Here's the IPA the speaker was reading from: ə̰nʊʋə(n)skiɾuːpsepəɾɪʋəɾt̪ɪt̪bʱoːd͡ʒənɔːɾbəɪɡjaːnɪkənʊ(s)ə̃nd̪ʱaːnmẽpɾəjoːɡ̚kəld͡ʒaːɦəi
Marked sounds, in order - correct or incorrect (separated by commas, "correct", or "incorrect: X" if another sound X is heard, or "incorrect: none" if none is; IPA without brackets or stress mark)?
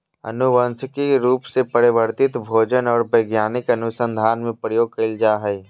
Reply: correct, correct